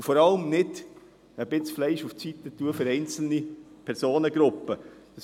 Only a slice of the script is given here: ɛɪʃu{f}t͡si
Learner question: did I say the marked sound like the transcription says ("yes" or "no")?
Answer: yes